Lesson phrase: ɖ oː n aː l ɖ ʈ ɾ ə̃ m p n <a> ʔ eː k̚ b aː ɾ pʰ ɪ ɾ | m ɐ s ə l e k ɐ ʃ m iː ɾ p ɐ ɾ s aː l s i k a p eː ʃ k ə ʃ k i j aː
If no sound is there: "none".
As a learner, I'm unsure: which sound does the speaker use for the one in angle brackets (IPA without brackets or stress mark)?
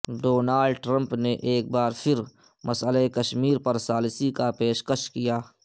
e